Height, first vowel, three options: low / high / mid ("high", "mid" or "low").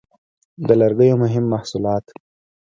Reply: mid